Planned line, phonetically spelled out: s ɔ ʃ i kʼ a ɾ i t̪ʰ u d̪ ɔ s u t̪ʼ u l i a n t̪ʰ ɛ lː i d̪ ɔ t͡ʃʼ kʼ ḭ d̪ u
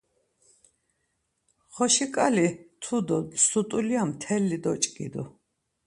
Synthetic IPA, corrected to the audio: χ ɔ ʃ i kʼ a l i t̪ʰ u d̪ ɔ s u t̪ʼ u l i a m t̪ʰ ɛ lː i d̪ ɔ t͡ʃʼ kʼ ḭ d̪ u